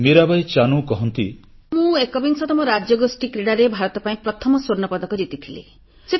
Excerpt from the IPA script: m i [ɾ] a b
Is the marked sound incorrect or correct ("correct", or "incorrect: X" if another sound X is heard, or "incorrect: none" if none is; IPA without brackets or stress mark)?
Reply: correct